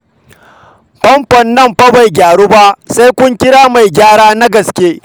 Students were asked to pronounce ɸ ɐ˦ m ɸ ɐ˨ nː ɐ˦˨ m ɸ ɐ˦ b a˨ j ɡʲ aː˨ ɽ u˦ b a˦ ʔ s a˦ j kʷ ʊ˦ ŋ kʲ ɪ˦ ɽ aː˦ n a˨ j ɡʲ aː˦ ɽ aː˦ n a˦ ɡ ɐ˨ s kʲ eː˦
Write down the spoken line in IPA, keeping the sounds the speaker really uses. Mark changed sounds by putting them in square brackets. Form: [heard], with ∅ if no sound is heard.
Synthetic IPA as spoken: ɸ ɐ˦ m ɸ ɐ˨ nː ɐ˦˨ m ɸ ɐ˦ b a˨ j ɡʲ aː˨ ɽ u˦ b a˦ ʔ s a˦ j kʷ ʊ˦ ŋ kʲ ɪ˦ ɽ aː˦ [m] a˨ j ɡʲ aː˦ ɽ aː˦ n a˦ ɡ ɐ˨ s kʲ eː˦